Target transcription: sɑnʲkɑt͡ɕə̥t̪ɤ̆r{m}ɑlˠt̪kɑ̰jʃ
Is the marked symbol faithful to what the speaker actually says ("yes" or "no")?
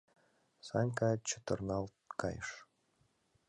no